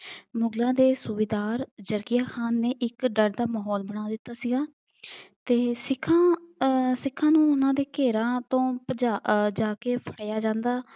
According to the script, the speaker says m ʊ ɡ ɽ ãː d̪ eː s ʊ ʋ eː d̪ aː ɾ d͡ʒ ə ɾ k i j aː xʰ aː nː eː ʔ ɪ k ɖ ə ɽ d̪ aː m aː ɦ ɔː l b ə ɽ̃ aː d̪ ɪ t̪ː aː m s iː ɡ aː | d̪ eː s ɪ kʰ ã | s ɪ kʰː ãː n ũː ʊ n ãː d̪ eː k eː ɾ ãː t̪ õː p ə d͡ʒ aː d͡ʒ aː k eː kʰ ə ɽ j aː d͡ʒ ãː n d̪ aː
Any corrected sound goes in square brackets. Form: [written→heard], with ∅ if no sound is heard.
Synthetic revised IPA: m ʊ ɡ [ɽ→l] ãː d̪ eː s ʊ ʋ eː d̪ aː ɾ d͡ʒ ə ɾ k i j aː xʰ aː nː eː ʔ ɪ k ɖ ə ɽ d̪ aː m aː ɦ ɔː l b ə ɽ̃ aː d̪ ɪ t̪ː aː [m→∅] s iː ɡ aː | [d̪→t̪] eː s ɪ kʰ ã | s ɪ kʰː ãː n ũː ʊ n ãː d̪ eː k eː ɾ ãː t̪ õː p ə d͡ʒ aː d͡ʒ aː k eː [kʰ→pʰ] ə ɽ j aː d͡ʒ ãː n d̪ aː